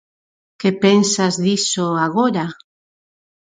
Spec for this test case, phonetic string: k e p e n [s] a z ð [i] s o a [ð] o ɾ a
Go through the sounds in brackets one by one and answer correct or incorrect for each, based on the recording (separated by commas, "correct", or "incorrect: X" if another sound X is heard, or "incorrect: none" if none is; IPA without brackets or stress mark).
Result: correct, correct, incorrect: ɣ